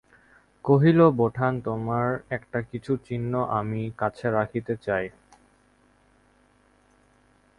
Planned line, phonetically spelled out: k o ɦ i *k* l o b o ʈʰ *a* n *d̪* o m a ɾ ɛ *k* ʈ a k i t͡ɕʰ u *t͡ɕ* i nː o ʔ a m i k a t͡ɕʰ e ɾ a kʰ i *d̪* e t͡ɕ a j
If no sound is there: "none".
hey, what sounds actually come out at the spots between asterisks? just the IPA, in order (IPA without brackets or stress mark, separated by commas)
none, a, t̪, k, t͡ɕ, t̪